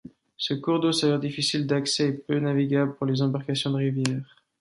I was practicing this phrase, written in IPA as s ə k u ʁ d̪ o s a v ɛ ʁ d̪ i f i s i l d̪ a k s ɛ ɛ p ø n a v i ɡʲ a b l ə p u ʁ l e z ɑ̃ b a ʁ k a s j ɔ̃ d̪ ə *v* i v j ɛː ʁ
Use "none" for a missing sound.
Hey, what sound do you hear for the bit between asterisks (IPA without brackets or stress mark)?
ʁ